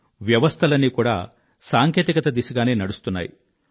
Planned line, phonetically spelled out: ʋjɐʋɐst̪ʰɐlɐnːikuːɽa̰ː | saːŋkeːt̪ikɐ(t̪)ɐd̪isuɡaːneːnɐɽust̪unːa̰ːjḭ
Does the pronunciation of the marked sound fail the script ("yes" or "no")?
no